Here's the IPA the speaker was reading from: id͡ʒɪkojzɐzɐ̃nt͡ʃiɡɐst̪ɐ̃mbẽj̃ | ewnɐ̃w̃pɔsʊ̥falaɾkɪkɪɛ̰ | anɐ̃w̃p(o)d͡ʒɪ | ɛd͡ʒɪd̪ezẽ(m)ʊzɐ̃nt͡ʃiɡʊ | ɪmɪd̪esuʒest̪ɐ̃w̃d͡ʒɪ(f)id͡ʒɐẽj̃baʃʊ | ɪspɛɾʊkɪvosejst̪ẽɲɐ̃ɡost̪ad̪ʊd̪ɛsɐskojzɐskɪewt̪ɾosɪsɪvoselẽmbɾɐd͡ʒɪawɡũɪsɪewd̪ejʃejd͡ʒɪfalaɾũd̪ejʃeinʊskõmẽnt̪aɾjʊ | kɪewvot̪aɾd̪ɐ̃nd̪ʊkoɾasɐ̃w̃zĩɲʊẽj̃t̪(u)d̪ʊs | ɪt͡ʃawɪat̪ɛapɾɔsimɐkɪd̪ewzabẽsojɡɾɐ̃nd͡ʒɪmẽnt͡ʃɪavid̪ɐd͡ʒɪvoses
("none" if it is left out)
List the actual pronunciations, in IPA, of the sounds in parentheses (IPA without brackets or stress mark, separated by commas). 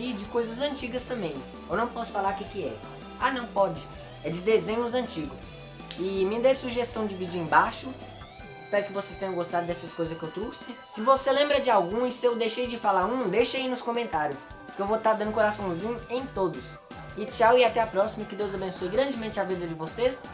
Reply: ɔ, ɲ, v, o